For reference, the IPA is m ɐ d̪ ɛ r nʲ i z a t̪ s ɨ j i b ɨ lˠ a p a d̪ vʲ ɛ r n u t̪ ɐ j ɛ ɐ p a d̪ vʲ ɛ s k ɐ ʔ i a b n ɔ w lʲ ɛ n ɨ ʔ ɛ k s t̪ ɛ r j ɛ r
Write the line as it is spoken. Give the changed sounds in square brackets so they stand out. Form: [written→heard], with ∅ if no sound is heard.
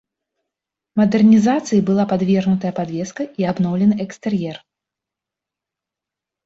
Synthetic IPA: m ɐ d̪ ɛ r nʲ i z a t̪ s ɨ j i b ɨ lˠ a p a d̪ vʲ ɛ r n u t̪ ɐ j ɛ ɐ p a d̪ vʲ ɛ s k ɐ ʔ i a b n ɔ w lʲ ɛ n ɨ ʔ ɛ k s t̪ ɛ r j ɛ r